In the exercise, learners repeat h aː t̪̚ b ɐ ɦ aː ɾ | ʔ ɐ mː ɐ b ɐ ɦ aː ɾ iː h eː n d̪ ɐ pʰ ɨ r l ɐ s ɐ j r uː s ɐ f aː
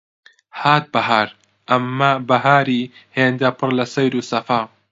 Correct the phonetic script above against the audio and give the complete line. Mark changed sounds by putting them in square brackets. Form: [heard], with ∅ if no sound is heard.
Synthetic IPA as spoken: h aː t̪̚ b ɐ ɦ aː ɾ | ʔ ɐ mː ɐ b ɐ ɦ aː ɾ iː h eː n d̪ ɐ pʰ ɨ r l ɐ s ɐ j [ɾ] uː s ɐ f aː

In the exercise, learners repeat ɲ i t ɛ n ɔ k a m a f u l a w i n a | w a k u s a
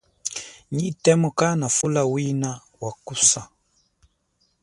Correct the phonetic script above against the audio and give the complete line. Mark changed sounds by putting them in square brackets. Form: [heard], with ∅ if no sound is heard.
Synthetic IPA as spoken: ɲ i t ɛ [m] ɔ k a [n] a f u l a w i n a | w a k u s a

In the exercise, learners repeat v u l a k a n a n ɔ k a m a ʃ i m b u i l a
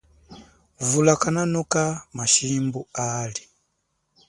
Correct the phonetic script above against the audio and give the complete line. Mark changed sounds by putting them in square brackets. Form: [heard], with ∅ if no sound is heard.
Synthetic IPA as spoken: v u l a k a n a n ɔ k a m a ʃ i m b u [a] l [i]

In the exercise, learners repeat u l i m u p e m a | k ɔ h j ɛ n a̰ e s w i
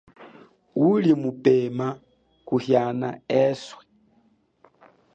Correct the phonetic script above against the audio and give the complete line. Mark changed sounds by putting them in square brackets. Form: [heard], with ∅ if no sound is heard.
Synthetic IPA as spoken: u l i m u p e m a | k [u] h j [a] n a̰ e s w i

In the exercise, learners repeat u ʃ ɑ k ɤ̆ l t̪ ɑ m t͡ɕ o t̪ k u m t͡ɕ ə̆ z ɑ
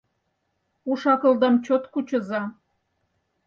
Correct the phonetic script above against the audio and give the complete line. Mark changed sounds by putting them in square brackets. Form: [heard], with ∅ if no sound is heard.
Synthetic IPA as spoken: u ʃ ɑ k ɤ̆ l [d̪] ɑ m t͡ɕ o t̪ k u [∅] t͡ɕ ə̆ z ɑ

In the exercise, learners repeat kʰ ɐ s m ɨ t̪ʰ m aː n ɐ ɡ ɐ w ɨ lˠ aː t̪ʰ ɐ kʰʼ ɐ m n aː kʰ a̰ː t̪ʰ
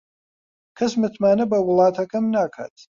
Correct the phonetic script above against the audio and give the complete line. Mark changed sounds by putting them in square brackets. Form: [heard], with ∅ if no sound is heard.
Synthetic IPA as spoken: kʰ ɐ s m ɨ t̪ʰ m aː n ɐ [b] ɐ w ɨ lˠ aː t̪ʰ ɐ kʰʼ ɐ m n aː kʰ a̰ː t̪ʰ

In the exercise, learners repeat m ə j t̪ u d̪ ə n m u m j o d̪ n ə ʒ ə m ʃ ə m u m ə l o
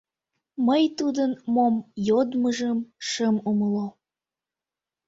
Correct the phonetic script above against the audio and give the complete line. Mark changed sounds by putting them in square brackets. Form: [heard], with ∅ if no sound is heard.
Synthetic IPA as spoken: m ə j t̪ u d̪ ə n m [o] m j o d̪ [m] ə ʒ ə m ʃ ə m u m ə l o

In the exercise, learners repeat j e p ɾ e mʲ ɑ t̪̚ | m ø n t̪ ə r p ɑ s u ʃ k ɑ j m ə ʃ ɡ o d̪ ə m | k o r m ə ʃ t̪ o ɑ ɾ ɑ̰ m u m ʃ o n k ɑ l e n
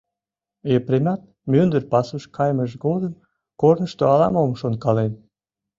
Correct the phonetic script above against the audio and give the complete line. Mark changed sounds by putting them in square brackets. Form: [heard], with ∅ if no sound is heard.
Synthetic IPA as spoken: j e p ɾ e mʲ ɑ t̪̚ | m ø n [d̪] ə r p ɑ s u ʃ k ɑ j m ə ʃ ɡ o d̪ ə m | k o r [n] ə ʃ t̪ o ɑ [l] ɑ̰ m [o] m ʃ o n k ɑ l e n

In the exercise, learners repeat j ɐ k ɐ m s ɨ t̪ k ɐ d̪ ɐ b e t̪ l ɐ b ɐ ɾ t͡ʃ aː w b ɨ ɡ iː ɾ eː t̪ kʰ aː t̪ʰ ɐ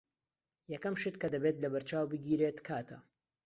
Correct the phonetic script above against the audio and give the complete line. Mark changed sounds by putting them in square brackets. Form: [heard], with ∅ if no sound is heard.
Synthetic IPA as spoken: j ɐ k ɐ m [ʃ] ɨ t̪ k ɐ d̪ ɐ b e t̪ l ɐ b ɐ ɾ t͡ʃ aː w b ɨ ɡ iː ɾ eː t̪ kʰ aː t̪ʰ ɐ

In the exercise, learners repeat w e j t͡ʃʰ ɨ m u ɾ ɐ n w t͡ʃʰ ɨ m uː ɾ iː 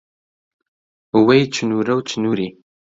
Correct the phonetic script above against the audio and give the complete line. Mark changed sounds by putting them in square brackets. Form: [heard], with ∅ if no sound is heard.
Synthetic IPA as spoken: w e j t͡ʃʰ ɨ [n] u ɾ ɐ [∅] w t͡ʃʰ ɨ [n] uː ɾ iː

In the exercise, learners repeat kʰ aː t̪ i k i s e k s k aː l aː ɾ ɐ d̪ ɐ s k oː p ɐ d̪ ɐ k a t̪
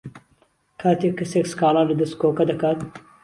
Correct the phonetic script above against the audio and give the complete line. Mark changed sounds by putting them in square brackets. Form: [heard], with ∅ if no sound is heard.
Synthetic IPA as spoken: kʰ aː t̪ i k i s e k s k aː l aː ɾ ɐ d̪ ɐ s k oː [k] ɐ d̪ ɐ k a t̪

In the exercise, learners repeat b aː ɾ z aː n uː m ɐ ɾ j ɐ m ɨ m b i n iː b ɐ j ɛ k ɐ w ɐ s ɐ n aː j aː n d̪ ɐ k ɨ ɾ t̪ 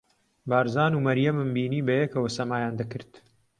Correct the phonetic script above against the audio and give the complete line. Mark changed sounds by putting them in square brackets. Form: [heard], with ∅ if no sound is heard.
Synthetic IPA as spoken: b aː ɾ z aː n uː m ɐ ɾ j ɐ m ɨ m b [iː] n iː b ɐ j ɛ k ɐ w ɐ s ɐ [m] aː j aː n d̪ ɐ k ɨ ɾ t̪

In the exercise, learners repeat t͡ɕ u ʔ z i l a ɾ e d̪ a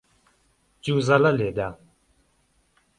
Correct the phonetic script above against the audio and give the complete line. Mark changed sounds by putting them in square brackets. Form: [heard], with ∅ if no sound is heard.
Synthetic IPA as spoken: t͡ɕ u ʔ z [a] l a [l] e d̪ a

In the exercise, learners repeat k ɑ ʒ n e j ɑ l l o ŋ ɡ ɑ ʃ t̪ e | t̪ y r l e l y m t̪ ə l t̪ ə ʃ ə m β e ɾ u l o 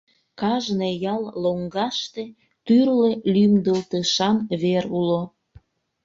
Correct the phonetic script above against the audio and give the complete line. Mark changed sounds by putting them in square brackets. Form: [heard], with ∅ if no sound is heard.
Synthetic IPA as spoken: k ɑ ʒ n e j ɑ l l o ŋ ɡ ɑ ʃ t̪ e | t̪ y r l e l y m [d̪] ə l t̪ ə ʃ [ɑ] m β e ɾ u l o

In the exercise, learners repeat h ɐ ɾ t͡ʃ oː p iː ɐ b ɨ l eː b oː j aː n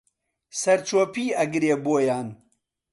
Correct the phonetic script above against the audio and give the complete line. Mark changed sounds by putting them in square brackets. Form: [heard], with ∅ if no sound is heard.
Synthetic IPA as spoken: [s] ɐ ɾ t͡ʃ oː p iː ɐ [ɡ] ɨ [ɾ] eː b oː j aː n

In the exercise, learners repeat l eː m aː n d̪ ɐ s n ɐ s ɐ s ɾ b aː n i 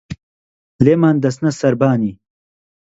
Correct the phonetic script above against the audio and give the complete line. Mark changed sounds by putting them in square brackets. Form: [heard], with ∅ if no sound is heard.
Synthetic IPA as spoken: l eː m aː n d̪ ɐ s n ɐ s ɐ [∅] ɾ b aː n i

